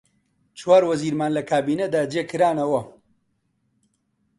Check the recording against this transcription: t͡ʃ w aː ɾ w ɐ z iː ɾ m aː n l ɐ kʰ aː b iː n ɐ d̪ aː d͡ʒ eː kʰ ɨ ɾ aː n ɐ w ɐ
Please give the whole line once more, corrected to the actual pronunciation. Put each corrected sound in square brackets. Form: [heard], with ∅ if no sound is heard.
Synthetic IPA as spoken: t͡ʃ w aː ɾ w ɐ z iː ɾ m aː n l ɐ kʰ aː b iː n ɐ d̪ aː d͡ʒ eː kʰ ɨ ɾ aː n ɐ w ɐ